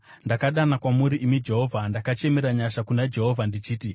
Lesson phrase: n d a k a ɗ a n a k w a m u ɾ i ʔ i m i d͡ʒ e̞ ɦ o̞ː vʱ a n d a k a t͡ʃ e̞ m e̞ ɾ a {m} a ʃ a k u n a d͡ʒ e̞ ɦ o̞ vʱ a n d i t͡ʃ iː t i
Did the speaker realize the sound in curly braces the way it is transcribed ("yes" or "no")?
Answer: no